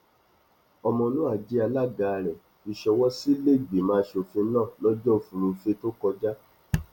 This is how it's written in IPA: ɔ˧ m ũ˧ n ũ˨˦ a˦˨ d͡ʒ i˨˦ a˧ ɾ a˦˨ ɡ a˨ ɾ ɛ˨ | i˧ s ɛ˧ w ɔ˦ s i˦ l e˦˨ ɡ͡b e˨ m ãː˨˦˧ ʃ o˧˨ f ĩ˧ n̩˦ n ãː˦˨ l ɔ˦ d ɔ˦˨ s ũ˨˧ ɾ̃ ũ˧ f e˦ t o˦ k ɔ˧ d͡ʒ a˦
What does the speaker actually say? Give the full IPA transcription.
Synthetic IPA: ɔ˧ m ɔ̃˧ n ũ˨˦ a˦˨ d͡ʒ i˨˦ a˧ l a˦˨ ɡ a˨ ɾ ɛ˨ | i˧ ʃ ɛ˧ w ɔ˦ s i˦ l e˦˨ ɡ͡b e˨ m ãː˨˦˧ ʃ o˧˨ f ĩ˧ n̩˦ n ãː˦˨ l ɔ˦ d͡ʒ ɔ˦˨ f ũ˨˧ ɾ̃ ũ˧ f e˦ t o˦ k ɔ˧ d͡ʒ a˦